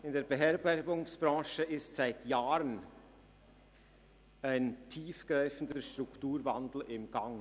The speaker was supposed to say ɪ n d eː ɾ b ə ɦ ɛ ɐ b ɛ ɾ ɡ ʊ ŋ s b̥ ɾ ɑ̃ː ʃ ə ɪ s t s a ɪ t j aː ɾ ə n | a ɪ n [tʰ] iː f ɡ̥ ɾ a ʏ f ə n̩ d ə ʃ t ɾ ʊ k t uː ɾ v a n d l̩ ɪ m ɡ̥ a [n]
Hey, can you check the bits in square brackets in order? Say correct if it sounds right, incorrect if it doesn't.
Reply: correct, incorrect: ŋ

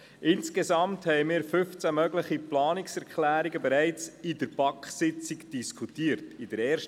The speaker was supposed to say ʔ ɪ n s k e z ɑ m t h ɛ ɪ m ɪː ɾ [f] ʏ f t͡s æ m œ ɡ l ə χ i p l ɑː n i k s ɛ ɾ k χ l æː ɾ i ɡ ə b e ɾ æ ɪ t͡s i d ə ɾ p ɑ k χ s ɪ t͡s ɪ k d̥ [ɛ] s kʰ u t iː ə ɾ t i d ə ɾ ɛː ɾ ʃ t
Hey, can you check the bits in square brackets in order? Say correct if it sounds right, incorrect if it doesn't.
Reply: correct, incorrect: i

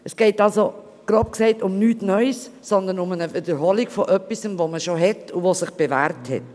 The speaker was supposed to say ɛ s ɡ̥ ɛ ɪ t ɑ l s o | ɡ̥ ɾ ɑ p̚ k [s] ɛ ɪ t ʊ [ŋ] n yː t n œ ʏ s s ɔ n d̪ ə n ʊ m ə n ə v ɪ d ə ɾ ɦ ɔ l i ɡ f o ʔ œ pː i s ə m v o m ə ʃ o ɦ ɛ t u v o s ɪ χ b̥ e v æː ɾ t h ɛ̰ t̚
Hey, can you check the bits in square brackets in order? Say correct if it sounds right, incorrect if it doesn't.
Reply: correct, incorrect: m

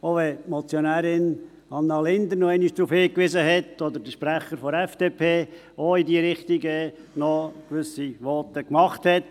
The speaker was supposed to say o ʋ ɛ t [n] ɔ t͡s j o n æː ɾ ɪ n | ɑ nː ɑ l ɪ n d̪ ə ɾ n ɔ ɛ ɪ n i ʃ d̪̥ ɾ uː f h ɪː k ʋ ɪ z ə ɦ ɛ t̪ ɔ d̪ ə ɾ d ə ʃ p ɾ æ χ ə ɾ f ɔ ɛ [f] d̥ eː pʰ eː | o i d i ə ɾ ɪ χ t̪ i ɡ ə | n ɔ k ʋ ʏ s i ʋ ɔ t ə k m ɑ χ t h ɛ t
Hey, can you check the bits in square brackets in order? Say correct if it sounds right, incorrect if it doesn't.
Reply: incorrect: m, correct

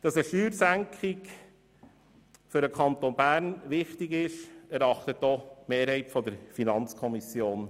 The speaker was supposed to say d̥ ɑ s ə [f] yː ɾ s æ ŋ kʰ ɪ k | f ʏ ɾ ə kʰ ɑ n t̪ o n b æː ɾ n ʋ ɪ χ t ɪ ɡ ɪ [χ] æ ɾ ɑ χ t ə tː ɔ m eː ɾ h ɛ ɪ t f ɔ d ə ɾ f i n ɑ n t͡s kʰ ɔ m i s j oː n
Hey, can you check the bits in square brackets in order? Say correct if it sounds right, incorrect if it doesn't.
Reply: incorrect: ʃ, incorrect: ʃ

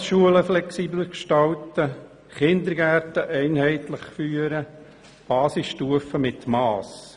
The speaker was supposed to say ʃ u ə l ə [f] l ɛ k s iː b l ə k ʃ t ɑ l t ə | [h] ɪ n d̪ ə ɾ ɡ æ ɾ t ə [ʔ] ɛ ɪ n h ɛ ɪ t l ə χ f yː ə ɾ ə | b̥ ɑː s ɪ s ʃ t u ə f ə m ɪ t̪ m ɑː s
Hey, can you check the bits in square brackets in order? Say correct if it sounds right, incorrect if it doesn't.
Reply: correct, incorrect: χ, correct

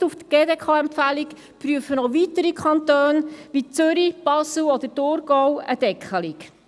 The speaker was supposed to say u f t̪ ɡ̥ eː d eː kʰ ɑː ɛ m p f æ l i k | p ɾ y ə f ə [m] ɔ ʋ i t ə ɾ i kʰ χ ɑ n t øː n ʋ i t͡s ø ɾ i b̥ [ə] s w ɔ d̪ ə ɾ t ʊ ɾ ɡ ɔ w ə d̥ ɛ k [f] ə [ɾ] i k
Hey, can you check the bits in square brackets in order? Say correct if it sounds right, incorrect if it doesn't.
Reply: incorrect: n, incorrect: ɑ, incorrect: χ, incorrect: l

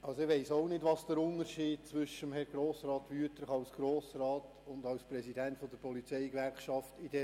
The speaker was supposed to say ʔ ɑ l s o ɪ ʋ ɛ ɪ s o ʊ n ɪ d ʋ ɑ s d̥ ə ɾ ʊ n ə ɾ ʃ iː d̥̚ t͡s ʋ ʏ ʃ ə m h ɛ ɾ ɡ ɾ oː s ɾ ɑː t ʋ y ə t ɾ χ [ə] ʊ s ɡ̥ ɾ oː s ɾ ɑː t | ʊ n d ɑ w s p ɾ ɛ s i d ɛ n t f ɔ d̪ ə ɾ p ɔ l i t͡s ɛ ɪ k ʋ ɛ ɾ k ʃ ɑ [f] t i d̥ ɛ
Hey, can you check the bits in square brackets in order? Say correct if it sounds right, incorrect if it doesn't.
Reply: incorrect: ɑ, correct

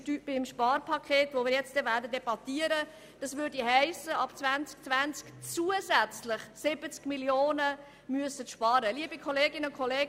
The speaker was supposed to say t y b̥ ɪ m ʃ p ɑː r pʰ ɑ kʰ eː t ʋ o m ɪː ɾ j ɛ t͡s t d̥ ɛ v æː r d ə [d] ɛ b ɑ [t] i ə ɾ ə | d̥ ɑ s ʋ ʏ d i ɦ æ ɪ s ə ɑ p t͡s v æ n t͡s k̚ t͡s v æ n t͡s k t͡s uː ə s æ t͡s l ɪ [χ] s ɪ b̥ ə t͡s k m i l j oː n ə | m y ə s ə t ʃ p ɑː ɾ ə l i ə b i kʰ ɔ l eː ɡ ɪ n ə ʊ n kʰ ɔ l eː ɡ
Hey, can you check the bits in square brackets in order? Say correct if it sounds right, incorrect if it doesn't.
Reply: correct, correct, correct

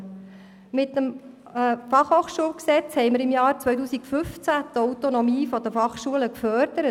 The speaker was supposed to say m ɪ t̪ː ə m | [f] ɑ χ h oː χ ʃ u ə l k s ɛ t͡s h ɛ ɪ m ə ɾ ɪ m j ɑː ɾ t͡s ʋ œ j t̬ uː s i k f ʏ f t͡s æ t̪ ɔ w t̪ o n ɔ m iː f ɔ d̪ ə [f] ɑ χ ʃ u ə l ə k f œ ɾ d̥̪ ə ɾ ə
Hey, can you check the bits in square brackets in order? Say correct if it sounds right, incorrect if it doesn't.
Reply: correct, correct

